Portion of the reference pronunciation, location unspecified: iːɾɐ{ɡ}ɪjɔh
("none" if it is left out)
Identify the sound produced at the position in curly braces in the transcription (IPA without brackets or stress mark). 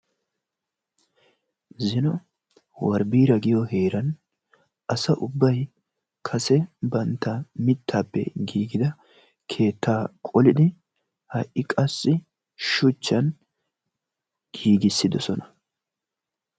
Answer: ɡ